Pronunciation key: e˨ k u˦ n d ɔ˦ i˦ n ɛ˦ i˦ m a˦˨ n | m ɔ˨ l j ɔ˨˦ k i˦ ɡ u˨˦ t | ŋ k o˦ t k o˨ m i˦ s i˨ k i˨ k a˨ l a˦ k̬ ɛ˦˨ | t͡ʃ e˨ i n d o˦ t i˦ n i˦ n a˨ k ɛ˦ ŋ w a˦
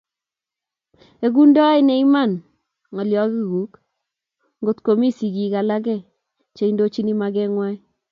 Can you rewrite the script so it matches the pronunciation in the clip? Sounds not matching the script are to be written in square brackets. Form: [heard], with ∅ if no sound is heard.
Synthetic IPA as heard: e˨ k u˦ n d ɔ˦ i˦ n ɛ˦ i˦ m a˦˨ n | [ŋ] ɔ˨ l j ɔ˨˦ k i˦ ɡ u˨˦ [k] | ŋ [ɡ] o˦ t k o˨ m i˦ s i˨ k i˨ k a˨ l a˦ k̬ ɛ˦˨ | t͡ʃ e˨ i n d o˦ [t͡ʃ] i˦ n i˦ [m] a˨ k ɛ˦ ŋ w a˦